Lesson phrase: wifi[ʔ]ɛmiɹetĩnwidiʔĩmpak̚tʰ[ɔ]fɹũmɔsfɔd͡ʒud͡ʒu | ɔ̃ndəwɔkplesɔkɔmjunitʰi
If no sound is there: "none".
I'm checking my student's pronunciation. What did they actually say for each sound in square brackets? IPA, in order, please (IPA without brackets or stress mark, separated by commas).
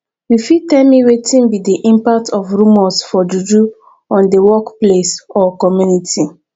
t, ɔ